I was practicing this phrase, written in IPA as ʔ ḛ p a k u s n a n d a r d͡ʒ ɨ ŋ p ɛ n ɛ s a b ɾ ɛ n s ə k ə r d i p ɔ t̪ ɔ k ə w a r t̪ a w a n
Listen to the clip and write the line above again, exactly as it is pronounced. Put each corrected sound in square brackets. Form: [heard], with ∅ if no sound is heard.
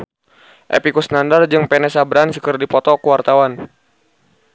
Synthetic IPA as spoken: ʔ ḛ p [i] k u s n a n d a r d͡ʒ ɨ ŋ p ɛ n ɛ s a b ɾ [a] n s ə k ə r d i p ɔ t̪ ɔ k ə w a r t̪ a w a n